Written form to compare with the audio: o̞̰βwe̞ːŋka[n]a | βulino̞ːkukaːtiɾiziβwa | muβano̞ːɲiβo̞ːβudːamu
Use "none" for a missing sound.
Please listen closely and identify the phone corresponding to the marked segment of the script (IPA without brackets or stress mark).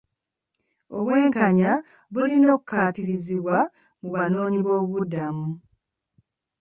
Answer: ɲ